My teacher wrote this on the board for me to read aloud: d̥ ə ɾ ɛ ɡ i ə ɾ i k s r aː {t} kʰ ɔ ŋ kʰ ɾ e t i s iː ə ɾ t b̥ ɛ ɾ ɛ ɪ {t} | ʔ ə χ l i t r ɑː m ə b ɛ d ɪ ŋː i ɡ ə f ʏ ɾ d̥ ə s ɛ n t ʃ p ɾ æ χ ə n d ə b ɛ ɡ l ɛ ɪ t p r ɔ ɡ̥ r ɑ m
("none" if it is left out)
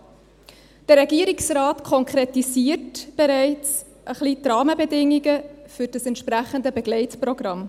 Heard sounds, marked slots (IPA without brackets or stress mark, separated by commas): t, t͡s